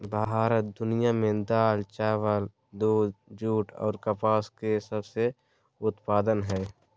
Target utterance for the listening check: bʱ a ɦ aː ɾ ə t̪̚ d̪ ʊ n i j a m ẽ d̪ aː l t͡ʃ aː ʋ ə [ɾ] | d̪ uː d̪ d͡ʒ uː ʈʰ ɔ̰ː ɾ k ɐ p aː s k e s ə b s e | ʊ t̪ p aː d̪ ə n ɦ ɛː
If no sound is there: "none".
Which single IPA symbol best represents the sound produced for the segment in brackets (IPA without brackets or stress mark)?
l